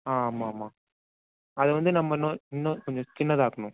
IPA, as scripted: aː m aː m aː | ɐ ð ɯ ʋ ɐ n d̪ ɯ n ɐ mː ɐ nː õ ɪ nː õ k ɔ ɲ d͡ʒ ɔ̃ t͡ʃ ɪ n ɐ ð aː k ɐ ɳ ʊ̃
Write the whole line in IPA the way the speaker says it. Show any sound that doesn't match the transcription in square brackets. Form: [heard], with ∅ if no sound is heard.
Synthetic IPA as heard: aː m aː m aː | ɐ ð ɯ ʋ ɐ n d̪ ɯ n ɐ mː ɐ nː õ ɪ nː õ k ɔ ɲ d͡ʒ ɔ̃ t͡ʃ ɪ [nː] ɐ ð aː k ɐ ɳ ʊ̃